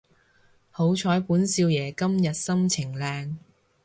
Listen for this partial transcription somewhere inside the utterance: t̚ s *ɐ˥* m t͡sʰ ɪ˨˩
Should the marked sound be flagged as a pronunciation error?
no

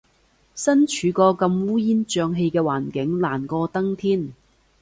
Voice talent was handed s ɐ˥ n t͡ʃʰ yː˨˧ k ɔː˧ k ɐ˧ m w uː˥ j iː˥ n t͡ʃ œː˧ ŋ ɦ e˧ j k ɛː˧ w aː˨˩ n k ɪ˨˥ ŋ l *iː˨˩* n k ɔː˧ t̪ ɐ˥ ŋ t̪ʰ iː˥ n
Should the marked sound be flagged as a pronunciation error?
yes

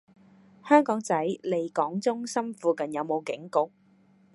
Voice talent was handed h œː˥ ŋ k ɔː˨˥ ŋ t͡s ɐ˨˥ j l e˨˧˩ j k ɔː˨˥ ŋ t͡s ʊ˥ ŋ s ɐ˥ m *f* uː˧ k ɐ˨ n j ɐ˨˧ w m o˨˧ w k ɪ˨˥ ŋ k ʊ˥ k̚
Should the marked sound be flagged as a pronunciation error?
no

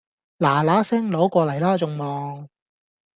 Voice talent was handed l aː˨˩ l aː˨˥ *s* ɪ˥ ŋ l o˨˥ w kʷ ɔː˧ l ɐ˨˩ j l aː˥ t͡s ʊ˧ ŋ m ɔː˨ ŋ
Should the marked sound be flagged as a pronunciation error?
no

